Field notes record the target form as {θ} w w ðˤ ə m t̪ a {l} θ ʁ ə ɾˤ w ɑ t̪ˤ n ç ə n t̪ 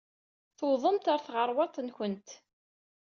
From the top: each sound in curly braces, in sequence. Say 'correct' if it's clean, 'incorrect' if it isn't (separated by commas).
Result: correct, incorrect